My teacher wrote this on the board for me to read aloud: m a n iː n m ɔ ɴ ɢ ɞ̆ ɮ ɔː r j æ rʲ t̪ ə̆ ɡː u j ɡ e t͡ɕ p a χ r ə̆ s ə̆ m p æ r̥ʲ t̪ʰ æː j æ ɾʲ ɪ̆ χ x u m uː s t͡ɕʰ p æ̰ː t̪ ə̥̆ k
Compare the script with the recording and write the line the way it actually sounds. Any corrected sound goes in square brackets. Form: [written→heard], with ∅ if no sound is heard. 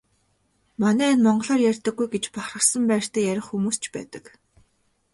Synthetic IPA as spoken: m a n [iː→æː] n m ɔ ɴ ɢ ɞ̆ ɮ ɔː r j æ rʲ t̪ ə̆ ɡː u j ɡ e t͡ɕ p a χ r ə̆ s ə̆ m p [æ→æː] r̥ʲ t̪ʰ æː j æ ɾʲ ɪ̆ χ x u m uː s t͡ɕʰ p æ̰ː t̪ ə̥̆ k